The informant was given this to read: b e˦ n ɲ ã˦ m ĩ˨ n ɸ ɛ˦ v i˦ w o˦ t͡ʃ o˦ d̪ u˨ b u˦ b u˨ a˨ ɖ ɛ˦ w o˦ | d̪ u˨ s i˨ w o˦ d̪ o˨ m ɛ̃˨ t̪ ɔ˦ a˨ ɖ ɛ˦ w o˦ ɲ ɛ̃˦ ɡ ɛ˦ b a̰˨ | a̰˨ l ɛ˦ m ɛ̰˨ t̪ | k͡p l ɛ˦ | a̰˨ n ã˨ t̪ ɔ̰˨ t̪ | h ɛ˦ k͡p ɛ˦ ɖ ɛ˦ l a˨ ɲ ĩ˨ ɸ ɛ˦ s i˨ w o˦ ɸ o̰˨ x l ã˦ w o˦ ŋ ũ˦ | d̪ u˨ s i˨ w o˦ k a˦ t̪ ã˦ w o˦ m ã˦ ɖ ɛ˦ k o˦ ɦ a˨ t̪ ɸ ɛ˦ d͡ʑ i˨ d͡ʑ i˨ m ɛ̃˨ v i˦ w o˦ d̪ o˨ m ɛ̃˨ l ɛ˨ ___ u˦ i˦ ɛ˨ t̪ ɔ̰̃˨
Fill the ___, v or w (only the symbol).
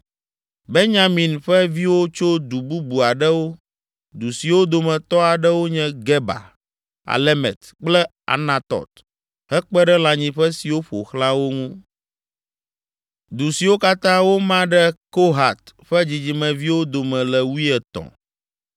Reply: w